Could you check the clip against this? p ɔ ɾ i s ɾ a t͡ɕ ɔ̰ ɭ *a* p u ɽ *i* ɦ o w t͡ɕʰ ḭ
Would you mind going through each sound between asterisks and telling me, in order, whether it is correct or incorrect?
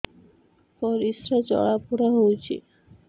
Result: correct, incorrect: a

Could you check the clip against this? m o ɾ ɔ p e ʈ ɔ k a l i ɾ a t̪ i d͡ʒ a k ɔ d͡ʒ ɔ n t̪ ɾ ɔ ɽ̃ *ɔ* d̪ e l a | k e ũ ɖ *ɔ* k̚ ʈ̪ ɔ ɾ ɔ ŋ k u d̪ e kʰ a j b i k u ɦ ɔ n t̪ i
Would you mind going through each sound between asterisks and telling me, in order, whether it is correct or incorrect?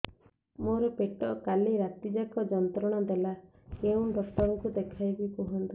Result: correct, correct

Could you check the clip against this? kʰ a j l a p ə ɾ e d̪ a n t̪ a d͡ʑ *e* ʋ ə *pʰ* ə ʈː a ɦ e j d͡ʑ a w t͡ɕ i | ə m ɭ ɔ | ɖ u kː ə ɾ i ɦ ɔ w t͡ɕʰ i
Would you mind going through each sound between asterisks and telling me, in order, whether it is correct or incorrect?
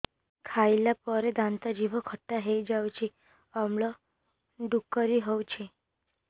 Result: incorrect: i, incorrect: kʰ

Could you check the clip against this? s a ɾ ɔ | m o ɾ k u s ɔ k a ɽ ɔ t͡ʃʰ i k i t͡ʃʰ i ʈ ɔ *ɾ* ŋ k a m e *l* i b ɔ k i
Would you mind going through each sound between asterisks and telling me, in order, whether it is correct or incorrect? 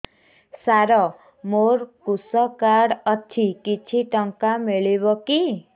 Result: incorrect: none, incorrect: ɭ

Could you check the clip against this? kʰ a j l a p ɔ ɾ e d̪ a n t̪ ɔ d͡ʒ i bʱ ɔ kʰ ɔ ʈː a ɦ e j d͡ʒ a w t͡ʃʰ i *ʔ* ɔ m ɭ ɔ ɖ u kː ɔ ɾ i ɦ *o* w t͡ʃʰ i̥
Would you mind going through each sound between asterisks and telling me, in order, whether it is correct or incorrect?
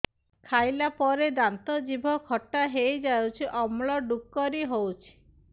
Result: correct, correct

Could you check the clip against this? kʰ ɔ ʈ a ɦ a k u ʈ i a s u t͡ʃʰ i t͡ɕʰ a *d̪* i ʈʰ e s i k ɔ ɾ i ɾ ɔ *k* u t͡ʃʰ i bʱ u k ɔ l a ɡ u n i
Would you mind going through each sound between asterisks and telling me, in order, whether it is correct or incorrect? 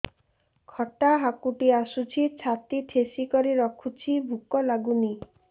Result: incorrect: t̪, incorrect: kʰ

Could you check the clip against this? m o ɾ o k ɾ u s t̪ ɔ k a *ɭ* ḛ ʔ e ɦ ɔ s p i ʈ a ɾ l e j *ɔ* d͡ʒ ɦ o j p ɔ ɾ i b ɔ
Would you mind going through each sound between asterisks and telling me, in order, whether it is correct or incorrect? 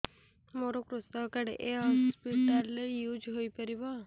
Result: incorrect: ɽ, incorrect: u

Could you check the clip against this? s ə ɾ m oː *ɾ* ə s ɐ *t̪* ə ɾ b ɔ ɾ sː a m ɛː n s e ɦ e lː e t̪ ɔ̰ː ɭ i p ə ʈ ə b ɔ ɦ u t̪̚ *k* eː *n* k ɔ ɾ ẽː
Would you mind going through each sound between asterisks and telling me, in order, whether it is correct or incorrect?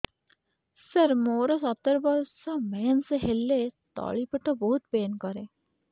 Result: correct, correct, incorrect: p, correct

